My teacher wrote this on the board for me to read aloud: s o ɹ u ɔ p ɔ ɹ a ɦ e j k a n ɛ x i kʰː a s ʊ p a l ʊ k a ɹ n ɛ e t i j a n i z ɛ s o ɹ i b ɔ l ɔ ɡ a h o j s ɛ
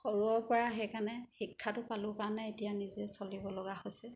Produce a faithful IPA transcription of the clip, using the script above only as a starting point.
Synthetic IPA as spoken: x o ɹ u ɔ p ɔ ɹ a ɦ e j k a n ɛ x i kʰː a t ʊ p a l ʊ k a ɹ n ɛ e t i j a n i z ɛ s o l i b ɔ l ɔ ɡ a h o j s ɛ